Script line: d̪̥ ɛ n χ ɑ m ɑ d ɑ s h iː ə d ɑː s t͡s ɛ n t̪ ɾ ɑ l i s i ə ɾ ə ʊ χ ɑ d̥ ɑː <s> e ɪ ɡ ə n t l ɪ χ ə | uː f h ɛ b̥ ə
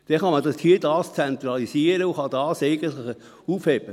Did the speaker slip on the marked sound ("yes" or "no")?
no